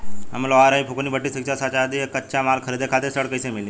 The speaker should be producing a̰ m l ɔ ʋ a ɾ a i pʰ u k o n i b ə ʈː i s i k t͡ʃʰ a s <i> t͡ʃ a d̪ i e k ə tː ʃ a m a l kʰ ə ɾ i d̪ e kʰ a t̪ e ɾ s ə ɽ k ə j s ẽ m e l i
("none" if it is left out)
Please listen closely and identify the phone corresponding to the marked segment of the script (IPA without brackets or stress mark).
a